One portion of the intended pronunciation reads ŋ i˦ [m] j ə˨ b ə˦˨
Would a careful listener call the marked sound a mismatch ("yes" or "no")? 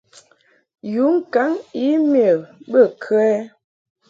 no